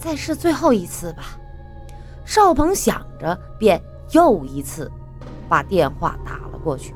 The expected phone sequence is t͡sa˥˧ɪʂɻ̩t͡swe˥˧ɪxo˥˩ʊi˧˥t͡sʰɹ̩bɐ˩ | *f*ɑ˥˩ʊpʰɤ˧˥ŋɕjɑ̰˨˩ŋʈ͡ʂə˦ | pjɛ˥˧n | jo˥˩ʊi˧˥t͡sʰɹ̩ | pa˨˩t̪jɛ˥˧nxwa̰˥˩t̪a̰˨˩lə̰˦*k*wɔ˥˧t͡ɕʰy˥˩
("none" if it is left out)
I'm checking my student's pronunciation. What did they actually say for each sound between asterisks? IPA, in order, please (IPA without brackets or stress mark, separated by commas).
ʂ, k